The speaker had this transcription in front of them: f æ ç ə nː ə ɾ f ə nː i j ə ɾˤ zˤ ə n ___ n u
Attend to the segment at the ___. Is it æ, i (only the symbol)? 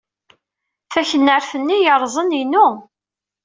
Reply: i